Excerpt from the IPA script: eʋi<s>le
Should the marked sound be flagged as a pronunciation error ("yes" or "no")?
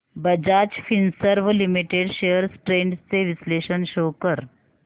no